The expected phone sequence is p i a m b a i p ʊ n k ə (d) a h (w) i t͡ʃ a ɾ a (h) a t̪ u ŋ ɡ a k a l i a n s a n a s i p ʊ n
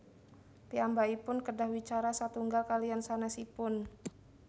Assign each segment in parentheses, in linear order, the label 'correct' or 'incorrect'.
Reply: correct, correct, incorrect: s

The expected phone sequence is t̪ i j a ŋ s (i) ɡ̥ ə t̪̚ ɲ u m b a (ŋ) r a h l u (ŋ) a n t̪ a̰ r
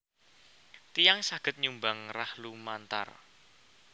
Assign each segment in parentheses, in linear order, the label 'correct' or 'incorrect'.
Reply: incorrect: a, correct, incorrect: m

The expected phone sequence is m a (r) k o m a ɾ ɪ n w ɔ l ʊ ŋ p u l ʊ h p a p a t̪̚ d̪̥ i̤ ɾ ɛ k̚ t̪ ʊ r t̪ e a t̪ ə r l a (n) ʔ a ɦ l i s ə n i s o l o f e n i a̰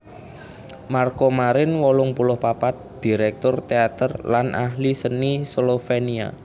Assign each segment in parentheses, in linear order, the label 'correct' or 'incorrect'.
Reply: correct, correct

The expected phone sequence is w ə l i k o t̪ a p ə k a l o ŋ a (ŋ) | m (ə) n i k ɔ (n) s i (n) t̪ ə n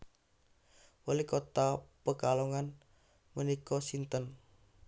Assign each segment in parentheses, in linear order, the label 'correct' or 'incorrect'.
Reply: incorrect: n, correct, incorrect: none, correct

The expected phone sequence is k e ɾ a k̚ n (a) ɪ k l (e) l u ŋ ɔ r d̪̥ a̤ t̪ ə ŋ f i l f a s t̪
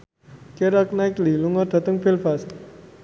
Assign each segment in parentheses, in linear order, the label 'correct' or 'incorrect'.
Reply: correct, incorrect: i

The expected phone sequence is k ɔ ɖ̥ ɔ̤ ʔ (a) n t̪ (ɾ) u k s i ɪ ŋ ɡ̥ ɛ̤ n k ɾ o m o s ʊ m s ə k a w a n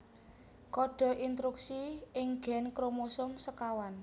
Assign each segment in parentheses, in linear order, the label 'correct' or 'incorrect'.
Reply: incorrect: i, correct

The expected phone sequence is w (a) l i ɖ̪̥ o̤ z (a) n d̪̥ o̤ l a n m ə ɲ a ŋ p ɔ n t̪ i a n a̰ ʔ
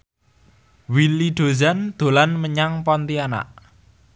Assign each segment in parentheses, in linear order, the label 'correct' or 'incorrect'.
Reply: incorrect: i, correct

